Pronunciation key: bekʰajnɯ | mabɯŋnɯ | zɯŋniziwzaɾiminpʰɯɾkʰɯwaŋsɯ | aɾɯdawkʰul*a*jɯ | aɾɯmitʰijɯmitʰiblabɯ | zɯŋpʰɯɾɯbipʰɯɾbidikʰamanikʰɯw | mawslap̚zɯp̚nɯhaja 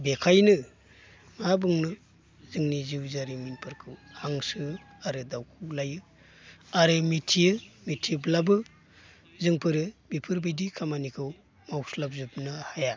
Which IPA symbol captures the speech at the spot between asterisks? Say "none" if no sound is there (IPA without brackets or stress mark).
a